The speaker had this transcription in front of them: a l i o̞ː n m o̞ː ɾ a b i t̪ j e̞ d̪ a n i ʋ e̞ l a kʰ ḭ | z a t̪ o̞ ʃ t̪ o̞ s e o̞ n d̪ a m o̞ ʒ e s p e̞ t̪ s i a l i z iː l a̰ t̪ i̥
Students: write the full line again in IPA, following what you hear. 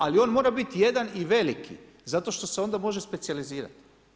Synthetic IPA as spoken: a l i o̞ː n m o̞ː ɾ a b i t̪ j e̞ d̪ a n i ʋ e̞ l i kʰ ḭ | z a t̪ o̞ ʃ t̪ o̞ s e o̞ n d̪ a m o̞ ʒ e s p e̞ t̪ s i a l i z iː ɾ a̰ t̪ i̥